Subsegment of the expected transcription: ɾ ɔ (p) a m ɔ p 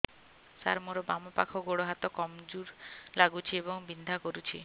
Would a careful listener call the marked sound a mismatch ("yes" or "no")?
yes